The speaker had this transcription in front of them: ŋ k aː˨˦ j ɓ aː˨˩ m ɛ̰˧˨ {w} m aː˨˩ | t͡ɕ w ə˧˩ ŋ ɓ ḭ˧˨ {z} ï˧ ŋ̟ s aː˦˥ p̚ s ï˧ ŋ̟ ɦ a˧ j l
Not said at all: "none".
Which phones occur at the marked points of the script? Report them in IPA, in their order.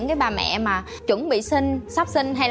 none, s

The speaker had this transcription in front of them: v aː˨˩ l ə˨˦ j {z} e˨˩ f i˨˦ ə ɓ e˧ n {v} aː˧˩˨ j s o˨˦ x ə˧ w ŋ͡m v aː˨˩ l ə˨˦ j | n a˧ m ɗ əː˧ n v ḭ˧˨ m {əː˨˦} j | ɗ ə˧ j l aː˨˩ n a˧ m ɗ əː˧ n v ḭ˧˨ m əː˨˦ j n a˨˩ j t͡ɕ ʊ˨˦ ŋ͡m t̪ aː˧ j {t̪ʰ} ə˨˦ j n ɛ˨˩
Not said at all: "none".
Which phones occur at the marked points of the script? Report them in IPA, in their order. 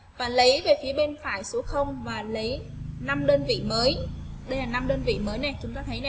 v, f, əː˨˦, t̪ʰ

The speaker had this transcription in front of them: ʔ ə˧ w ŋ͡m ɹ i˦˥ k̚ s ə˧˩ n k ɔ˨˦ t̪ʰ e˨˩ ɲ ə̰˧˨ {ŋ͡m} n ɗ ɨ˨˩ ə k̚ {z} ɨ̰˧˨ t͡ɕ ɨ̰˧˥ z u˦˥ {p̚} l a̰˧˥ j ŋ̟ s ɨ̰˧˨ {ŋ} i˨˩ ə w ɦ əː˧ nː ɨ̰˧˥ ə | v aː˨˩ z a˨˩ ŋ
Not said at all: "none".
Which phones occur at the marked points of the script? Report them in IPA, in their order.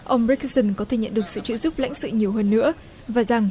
none, s, p̚, ɲ

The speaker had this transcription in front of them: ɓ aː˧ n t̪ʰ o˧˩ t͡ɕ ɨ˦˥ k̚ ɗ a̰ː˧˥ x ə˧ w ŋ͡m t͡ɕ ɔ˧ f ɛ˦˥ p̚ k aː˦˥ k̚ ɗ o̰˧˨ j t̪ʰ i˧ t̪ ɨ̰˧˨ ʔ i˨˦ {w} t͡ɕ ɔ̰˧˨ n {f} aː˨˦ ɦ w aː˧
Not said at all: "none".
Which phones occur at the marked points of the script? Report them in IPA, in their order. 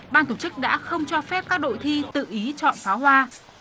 none, f

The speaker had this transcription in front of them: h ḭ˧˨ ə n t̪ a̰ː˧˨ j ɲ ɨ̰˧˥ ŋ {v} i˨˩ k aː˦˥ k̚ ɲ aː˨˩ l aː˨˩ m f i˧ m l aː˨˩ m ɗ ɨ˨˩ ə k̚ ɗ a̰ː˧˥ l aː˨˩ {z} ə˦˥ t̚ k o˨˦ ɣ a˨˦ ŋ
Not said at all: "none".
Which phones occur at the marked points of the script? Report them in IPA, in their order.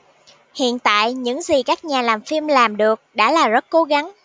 z, z

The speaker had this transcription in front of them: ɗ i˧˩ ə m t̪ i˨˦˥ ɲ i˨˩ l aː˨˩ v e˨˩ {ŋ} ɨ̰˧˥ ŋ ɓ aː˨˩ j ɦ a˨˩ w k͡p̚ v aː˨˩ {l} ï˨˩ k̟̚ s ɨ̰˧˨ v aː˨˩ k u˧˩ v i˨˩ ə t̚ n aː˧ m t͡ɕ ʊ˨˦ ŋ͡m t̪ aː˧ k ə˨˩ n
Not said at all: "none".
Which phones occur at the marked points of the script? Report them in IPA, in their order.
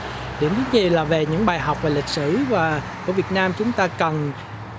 ɲ, l

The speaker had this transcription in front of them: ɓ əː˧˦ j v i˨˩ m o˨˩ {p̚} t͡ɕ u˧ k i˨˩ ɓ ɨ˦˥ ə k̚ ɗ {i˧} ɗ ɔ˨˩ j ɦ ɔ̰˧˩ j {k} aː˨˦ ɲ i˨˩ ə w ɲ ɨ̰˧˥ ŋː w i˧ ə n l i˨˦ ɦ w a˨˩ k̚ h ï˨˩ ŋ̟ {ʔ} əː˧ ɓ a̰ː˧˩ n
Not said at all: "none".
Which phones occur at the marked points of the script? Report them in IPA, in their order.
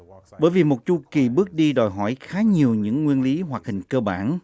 t̚, i˧, x, k

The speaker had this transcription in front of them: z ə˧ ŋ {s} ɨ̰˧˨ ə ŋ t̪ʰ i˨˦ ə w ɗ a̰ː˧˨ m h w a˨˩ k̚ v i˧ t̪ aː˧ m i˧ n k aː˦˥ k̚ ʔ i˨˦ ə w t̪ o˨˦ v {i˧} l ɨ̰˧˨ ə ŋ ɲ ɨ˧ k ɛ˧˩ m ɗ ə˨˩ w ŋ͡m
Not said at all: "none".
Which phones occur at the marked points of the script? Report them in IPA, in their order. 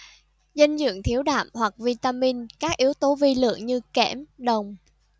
z, i˧

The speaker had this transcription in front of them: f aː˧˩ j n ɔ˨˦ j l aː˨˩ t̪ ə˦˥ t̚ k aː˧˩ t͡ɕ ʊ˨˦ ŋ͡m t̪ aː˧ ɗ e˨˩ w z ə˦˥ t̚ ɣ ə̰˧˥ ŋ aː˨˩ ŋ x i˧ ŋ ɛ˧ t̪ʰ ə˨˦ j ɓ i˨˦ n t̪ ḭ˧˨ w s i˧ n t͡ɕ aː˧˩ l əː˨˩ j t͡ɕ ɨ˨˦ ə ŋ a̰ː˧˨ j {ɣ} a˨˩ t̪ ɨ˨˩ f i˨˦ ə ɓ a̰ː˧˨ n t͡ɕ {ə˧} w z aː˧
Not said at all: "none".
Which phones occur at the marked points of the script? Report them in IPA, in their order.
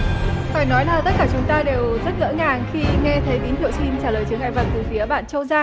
v, ə˧

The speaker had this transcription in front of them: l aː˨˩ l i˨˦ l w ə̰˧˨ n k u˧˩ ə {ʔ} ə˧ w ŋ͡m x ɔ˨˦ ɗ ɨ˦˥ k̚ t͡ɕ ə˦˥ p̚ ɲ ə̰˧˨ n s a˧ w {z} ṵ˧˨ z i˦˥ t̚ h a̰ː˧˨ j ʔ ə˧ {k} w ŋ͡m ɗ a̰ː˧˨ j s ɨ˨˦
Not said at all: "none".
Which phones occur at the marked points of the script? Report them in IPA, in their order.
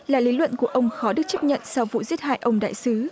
ʔ, v, none

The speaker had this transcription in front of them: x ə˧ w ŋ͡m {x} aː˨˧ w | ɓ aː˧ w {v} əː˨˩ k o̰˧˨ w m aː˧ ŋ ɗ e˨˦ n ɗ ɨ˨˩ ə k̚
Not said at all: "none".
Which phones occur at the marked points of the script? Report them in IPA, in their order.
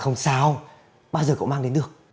s, z

